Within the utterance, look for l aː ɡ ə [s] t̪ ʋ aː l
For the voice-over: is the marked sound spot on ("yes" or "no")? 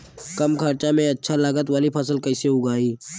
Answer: no